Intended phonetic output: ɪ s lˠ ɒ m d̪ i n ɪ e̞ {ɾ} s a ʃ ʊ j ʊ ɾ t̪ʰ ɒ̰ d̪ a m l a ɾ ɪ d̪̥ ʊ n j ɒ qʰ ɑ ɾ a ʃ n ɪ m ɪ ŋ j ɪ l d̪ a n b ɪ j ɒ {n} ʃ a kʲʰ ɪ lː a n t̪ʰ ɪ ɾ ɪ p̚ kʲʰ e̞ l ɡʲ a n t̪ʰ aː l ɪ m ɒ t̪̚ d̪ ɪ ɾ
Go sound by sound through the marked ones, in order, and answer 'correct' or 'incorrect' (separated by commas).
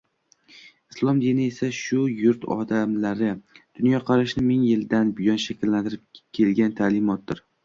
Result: incorrect, correct